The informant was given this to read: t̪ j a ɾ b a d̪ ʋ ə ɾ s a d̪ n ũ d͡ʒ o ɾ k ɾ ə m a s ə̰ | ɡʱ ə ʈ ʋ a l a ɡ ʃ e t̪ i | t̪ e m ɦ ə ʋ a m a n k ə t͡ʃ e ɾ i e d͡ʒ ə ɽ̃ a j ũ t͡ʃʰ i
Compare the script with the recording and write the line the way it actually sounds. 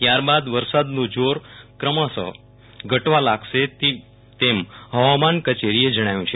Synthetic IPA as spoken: t̪ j a ɾ b a d̪ ʋ ə ɾ s a d̪ n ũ d͡ʒ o ɾ k ɾ ə m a s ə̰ | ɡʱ ə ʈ ʋ a l a ɡ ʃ e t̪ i | t̪ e m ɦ ə ʋ a m a n k ə t͡ʃ e ɾ i e d͡ʒ ə ɽ̃ a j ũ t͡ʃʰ e